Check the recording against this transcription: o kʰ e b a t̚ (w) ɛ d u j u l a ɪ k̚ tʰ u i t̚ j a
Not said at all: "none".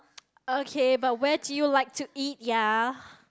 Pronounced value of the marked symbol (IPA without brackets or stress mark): w